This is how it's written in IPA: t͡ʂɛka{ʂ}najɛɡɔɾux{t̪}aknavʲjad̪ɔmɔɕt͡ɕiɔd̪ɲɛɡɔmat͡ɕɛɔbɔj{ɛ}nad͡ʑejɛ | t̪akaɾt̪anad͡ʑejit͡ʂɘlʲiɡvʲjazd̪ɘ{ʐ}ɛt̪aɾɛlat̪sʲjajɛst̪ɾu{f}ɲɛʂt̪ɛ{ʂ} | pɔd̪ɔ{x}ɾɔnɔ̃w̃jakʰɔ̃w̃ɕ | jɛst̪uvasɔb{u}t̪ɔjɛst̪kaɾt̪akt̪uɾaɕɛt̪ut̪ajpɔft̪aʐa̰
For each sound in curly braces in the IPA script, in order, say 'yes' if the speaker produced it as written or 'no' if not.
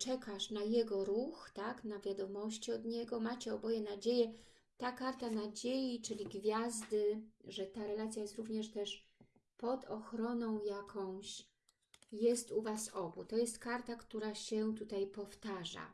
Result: yes, yes, yes, yes, no, yes, yes, yes

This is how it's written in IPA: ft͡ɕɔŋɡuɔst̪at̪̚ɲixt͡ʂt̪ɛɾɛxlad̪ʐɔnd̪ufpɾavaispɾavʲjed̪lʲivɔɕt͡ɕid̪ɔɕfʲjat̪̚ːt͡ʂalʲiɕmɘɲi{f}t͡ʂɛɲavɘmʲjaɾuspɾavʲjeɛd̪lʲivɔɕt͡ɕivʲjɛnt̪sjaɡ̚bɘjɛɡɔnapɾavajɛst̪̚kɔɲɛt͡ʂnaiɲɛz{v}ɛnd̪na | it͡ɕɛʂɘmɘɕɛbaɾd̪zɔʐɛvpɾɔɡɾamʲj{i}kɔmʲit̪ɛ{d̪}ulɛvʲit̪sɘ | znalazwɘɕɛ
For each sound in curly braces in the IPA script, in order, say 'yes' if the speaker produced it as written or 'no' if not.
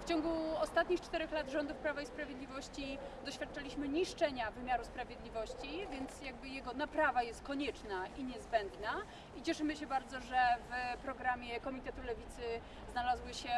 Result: no, no, no, no

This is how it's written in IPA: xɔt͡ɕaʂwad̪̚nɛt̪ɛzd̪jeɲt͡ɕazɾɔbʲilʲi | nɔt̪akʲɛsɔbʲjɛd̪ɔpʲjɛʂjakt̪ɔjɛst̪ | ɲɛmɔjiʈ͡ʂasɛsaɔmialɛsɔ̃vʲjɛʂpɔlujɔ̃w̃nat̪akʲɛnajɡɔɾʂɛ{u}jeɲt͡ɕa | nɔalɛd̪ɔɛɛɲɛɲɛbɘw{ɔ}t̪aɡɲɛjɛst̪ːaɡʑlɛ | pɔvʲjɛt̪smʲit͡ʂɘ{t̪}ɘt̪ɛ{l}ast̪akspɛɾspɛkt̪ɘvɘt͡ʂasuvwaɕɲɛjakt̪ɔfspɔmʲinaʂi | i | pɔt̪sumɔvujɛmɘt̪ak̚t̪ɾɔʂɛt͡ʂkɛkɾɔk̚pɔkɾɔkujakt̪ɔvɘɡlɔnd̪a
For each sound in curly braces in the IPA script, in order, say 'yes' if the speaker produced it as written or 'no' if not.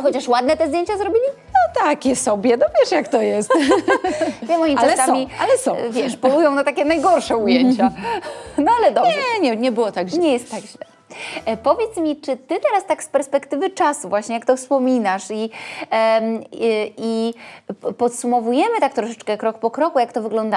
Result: yes, yes, yes, no

